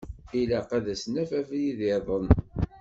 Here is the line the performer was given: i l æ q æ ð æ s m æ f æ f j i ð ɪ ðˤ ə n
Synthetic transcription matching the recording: i l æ q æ ð æ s n æ f æ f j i ð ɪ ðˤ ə n